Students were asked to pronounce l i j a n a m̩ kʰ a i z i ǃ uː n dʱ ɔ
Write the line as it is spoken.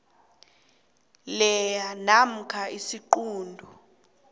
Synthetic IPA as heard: l ɛ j a n a m̩ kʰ a i s i ǃ uː n dʱ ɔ